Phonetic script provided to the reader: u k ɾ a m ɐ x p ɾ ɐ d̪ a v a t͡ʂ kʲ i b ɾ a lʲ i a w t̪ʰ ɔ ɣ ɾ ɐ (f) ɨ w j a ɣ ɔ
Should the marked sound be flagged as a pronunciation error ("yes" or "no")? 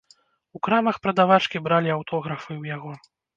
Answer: no